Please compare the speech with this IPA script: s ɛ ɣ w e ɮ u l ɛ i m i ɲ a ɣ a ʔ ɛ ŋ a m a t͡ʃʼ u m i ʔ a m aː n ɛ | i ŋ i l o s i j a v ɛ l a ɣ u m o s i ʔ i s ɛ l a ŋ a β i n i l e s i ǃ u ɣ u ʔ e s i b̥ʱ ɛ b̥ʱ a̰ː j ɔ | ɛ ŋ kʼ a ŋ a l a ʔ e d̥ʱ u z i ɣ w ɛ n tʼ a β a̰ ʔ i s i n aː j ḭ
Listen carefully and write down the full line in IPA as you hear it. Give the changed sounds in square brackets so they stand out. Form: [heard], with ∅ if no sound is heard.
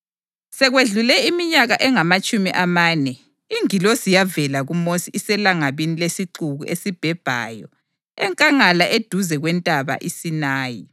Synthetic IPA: s ɛ ɣ w e ɮ u l ɛ i m i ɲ a ɣ a ʔ ɛ ŋ a m a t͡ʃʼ u m i ʔ a m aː n ɛ | i ŋ i l o s i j a v ɛ l a ɣ u m o s i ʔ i s ɛ l a ŋ a β i n i l e s i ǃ u ɣ u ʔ e s i b̥ʱ ɛ b̥ʱ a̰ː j ɔ | ɛ ŋ kʼ a ŋ a l a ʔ e d̥ʱ u z [ɛ] ɣ w ɛ n tʼ a β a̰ ʔ i s i n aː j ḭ